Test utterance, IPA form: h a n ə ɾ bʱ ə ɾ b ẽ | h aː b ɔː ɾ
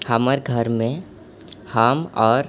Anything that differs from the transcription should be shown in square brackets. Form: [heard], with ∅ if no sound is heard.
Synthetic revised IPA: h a [m] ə ɾ [ɡʱ] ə ɾ [m] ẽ | h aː [m] ɔː ɾ

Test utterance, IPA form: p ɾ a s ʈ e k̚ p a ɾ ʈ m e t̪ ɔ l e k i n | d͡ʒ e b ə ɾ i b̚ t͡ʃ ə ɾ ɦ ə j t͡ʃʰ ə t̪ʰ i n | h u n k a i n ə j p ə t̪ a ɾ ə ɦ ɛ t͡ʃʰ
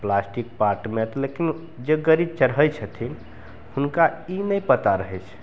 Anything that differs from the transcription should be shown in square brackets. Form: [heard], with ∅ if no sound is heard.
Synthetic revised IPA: p [l] a s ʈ [i] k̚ p a ɾ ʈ m e t̪ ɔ l e k i n | d͡ʒ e [ɡ] ə ɾ i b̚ t͡ʃ ə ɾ ɦ ə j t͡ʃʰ ə t̪ʰ i n | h u n k a i n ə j p ə t̪ a ɾ ə ɦ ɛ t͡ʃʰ

